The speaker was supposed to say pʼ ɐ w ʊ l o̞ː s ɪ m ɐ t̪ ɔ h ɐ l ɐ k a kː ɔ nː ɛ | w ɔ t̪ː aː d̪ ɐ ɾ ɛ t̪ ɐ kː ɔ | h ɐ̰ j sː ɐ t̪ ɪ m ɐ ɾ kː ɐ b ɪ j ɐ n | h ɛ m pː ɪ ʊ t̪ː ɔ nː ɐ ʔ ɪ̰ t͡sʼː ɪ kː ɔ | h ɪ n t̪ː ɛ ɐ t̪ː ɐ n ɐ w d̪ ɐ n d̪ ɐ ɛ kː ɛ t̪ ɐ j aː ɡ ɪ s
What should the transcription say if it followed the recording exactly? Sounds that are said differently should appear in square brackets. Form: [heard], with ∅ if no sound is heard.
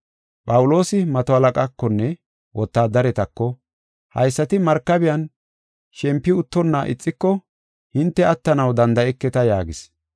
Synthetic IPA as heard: pʼ ɐ w ʊ l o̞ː s ɪ m ɐ t̪ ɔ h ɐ l ɐ [kʼ] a kː ɔ nː ɛ | w ɔ t̪ː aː d̪ ɐ ɾ ɛ t̪ ɐ kː ɔ | h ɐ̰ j sː ɐ t̪ ɪ m ɐ ɾ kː ɐ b ɪ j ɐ n | [ʃ] ɛ m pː ɪ ʊ t̪ː ɔ nː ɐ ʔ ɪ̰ t͡sʼː ɪ kː ɔ | h ɪ n t̪ː ɛ ɐ t̪ː ɐ n ɐ w d̪ ɐ n d̪ ɐ ɛ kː ɛ t̪ ɐ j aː ɡ ɪ s